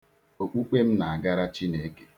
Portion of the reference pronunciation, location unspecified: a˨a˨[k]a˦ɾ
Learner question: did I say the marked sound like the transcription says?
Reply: no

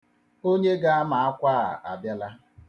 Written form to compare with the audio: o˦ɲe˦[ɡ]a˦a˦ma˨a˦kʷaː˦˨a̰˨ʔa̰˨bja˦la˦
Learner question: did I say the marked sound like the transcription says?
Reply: yes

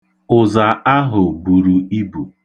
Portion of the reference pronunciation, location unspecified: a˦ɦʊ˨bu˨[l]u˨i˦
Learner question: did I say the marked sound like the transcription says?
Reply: no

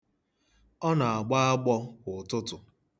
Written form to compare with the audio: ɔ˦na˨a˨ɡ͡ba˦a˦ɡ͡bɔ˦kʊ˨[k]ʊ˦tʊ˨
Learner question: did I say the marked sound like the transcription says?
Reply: no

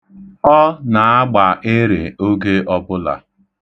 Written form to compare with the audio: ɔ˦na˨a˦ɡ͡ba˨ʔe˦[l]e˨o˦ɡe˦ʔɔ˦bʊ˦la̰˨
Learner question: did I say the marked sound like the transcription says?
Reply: no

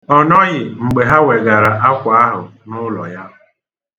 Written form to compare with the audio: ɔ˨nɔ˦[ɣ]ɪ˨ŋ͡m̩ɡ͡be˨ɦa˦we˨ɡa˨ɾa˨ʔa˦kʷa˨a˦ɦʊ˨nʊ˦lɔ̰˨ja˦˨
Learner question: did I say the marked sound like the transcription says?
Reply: yes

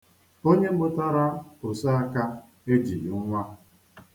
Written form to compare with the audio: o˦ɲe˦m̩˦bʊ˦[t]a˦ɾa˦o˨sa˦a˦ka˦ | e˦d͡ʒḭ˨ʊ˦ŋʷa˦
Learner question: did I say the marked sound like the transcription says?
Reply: yes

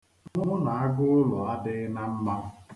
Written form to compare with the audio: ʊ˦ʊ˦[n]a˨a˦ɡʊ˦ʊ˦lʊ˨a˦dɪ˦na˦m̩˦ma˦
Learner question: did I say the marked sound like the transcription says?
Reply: yes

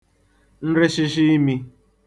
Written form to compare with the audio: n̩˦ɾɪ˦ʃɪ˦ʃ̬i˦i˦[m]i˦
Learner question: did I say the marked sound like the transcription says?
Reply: yes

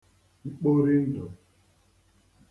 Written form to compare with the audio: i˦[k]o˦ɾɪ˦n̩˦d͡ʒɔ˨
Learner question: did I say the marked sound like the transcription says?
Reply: no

